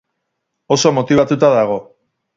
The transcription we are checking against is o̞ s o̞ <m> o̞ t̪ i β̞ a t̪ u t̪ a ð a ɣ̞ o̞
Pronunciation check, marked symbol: correct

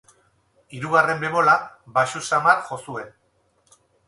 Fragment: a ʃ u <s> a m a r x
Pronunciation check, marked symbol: correct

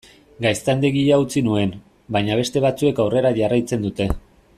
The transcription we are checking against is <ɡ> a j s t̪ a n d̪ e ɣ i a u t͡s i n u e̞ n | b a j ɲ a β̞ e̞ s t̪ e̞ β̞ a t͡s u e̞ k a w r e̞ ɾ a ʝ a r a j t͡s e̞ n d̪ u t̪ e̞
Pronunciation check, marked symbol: correct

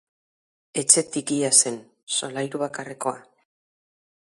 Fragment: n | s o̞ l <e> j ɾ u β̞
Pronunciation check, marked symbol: incorrect: a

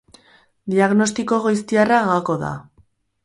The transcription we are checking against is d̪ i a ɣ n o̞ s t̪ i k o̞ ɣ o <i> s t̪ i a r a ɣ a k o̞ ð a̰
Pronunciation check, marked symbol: incorrect: j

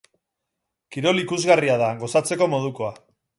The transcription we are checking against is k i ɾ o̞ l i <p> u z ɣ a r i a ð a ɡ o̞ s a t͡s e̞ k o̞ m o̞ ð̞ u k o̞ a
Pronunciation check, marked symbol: incorrect: k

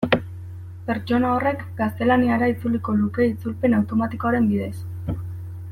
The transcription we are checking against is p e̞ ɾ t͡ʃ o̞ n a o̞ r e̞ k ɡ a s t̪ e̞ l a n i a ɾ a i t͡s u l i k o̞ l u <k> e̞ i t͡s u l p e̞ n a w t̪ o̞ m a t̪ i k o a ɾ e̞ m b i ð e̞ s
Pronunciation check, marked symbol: correct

